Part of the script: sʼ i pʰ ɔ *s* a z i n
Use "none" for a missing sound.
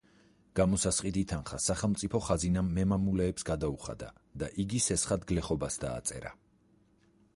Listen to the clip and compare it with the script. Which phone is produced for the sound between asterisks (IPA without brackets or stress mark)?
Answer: χ